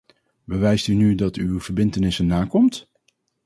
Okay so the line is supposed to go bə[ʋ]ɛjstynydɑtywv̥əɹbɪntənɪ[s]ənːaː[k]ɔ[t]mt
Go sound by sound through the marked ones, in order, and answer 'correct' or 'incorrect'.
correct, correct, correct, incorrect: none

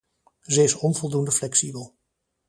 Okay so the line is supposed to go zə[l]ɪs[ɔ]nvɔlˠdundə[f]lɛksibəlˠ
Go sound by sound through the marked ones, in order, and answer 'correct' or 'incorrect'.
incorrect: none, correct, correct

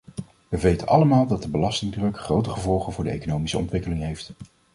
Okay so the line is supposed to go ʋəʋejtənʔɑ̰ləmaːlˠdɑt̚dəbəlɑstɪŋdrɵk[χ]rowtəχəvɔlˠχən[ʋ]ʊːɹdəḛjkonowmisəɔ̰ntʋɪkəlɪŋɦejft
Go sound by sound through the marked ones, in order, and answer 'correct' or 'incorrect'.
correct, incorrect: v

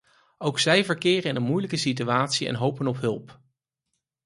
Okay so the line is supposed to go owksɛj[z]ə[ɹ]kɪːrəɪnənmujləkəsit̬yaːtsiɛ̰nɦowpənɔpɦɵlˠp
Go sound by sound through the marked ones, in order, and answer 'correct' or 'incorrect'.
incorrect: v, correct

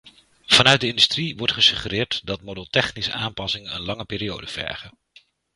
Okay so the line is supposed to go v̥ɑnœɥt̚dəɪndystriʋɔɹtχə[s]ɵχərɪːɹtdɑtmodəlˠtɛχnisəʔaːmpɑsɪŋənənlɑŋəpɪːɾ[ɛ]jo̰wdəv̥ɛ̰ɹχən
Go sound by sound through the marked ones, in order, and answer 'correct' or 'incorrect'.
correct, incorrect: i

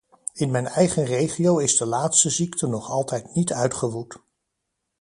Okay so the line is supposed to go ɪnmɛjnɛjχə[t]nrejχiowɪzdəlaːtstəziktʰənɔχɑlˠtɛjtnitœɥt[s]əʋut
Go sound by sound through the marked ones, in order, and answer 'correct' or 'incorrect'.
incorrect: none, incorrect: χ

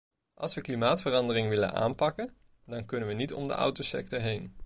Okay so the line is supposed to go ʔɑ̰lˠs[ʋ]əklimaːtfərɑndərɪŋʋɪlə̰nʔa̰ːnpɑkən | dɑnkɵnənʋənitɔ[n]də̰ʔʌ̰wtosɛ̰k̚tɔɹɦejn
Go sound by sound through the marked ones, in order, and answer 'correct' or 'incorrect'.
correct, incorrect: m

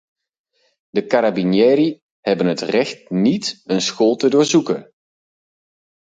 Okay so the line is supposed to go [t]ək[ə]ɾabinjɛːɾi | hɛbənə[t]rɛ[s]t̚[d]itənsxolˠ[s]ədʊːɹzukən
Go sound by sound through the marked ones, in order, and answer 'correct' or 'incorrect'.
incorrect: d, incorrect: a, correct, incorrect: x, incorrect: n, incorrect: t

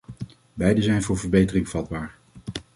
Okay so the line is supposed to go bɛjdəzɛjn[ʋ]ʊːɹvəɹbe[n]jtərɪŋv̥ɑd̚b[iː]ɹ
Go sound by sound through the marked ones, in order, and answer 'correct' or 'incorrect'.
incorrect: v, incorrect: none, incorrect: aː

